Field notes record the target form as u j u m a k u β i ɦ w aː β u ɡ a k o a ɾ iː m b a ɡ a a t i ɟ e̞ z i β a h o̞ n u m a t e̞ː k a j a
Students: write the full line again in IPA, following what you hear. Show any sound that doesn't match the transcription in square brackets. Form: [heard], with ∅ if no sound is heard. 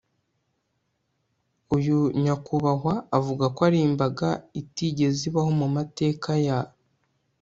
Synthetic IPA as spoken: u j u [ɲ] a k u β [a] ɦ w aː [v] u ɡ a k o a ɾ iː m b a ɡ a [i] t i ɟ e̞ z i β a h o̞ [m] u m a t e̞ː k a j a